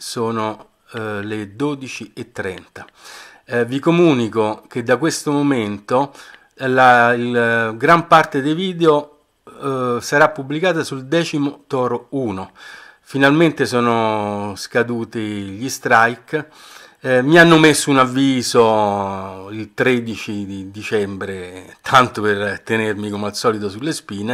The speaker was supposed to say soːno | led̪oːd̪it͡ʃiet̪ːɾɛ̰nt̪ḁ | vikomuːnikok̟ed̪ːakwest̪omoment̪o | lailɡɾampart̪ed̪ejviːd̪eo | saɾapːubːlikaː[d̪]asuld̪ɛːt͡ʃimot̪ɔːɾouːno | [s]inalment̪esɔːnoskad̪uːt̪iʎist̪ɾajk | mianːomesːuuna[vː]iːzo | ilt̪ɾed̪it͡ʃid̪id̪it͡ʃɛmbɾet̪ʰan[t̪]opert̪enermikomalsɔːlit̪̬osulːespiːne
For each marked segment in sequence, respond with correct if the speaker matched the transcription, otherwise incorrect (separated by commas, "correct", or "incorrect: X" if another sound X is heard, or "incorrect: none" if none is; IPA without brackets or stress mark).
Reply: incorrect: t̪, incorrect: f, correct, correct